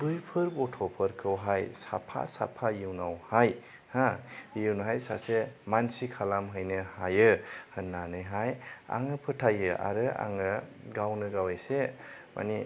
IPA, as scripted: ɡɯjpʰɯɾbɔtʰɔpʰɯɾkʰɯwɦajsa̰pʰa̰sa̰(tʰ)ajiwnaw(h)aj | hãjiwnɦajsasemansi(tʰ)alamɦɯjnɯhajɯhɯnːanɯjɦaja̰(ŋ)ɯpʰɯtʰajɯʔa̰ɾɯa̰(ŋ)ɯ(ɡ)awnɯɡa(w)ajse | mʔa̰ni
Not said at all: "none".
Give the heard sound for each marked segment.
pʰ, h, kʰ, ŋ, ŋ, ɡ, w

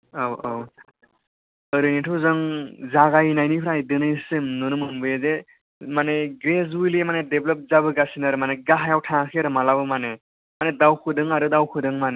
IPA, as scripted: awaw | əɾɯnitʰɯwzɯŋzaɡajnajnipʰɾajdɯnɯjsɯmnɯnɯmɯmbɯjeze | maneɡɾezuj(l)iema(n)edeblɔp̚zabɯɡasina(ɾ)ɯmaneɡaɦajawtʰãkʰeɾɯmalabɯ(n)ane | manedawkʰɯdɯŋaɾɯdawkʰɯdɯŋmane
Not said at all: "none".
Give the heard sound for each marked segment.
l, n, ɾ, m

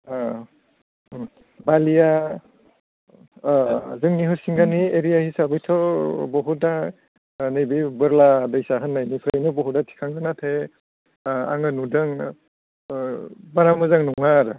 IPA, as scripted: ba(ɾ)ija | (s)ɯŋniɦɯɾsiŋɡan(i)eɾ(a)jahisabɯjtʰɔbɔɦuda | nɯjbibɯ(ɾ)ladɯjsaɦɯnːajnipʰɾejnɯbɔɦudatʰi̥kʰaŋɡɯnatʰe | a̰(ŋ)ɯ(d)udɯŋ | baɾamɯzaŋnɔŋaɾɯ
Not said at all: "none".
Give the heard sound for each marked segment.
l, z, i, i, ɾ, ŋ, n

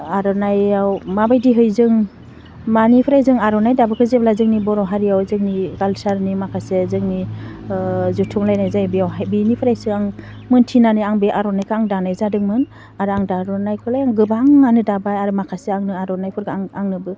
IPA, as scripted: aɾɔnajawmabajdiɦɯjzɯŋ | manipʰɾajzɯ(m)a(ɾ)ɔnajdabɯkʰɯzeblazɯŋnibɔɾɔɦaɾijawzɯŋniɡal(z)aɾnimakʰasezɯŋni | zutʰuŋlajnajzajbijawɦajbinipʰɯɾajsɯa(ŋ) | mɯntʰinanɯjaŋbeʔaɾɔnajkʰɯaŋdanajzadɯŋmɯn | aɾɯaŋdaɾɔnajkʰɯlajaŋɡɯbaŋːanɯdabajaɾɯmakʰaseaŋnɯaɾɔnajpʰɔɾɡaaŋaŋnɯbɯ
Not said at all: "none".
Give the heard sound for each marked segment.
ŋ, ɾ, s, ŋ

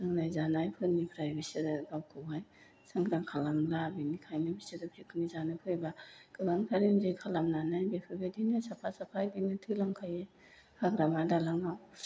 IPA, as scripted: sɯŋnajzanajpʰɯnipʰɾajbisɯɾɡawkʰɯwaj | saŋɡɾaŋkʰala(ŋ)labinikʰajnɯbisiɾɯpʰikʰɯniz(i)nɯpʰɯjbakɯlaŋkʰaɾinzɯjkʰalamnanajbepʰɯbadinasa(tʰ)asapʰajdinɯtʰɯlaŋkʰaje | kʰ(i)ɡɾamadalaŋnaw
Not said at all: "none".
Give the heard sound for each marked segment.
m, a, pʰ, a

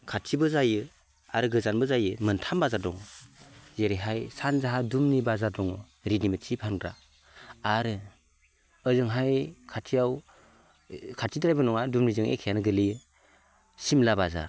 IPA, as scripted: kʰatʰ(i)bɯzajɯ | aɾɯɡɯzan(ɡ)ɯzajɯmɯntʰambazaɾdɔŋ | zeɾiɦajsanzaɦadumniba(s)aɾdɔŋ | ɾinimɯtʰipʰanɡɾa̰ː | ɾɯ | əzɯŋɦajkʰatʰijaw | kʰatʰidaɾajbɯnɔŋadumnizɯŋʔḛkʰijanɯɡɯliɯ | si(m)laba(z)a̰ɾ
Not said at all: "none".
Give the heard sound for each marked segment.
i, b, z, m, z

